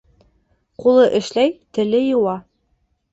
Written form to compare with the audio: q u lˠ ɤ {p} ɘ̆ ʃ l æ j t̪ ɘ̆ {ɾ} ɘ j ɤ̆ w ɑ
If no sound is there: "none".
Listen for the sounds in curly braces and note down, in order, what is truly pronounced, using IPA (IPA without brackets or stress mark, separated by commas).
ʔ, l